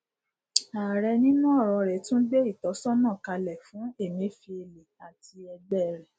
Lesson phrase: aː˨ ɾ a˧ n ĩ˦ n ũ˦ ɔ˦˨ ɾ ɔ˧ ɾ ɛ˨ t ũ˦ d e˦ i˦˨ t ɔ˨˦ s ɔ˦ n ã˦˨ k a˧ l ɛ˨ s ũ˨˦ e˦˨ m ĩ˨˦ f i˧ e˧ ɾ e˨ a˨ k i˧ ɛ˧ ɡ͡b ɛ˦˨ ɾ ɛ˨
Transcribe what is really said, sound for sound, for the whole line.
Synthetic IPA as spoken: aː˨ ɾ ɛ˧ n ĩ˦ n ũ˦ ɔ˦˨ ɾ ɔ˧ ɾ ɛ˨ t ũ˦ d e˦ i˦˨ t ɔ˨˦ s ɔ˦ n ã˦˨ k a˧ l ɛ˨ f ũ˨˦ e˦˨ m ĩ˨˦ f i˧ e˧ l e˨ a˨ t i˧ ɛ˧ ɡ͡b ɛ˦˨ ɾ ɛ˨